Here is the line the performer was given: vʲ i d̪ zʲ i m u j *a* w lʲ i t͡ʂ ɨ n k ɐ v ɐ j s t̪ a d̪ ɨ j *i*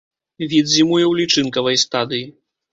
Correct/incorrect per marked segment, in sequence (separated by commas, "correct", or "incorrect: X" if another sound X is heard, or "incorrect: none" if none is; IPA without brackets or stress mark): incorrect: ɛ, correct